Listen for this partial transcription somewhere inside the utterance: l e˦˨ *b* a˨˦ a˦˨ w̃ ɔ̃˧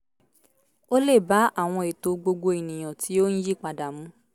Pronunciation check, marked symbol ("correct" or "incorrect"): correct